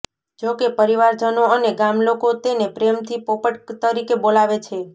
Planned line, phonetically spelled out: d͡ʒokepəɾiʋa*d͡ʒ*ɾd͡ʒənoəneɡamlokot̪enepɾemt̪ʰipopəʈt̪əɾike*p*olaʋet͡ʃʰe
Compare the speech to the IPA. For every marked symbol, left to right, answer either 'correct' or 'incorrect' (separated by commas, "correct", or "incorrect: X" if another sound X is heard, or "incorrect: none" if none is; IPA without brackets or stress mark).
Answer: incorrect: none, incorrect: b